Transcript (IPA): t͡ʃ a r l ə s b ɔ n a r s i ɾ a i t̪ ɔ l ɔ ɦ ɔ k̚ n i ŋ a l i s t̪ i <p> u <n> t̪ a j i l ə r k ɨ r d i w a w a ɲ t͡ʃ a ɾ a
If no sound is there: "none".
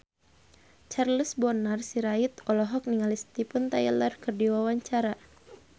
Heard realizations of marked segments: p, n

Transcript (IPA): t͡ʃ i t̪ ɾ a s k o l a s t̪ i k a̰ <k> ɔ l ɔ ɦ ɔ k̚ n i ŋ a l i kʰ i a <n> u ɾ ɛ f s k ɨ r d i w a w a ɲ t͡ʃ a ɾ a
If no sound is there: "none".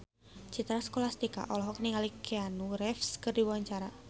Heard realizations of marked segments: ʔ, n

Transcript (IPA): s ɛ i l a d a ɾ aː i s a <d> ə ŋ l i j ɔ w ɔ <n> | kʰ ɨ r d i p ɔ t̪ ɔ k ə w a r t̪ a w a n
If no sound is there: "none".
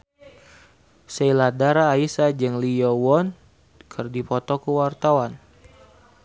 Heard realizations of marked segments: d͡ʒ, n

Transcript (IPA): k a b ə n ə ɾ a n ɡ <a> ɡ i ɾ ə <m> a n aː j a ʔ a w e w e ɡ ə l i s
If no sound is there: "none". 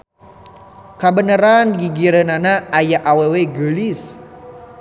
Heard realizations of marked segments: i, n

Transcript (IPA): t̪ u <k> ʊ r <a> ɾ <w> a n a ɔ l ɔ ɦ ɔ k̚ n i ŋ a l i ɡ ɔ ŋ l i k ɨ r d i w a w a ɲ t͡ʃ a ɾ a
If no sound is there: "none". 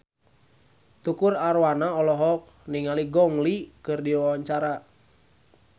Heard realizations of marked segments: k, a, w

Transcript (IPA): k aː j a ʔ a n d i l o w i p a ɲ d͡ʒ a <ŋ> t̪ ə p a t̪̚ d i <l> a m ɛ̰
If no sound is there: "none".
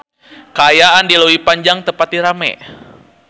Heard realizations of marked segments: ŋ, ɾ

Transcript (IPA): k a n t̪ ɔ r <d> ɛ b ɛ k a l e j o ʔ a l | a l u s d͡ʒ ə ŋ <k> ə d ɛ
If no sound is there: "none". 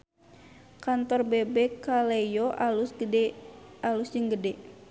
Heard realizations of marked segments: b, ɡ

